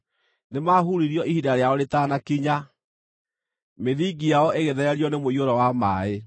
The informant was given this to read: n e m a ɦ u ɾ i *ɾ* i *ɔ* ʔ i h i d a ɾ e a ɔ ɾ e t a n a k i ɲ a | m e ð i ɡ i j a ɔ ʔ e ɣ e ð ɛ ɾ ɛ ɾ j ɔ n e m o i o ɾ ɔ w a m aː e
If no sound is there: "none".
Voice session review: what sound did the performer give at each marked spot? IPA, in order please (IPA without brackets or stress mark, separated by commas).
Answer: ɾ, ɔ